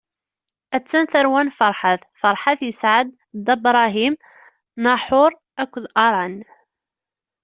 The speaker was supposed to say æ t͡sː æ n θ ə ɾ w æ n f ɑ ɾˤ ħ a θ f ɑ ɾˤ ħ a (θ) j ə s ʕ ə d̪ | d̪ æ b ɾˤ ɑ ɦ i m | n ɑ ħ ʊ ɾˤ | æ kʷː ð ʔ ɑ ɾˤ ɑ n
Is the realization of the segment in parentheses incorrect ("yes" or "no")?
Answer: no